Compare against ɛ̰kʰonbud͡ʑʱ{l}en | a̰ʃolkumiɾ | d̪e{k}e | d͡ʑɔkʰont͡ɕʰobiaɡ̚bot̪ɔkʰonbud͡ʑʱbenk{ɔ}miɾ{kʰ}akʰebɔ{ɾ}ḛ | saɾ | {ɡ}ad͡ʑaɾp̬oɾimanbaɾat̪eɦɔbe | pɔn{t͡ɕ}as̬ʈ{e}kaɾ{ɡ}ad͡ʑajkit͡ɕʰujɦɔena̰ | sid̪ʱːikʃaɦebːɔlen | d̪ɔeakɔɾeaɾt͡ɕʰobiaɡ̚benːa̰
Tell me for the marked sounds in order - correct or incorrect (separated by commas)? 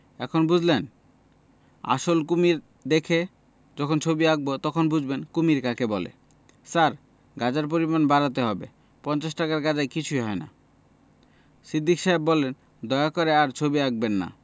correct, incorrect, incorrect, incorrect, incorrect, correct, correct, incorrect, correct